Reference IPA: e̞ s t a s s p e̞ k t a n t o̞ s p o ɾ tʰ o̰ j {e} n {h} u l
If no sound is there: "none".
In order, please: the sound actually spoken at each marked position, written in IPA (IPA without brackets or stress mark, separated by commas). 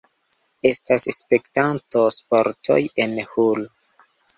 e, h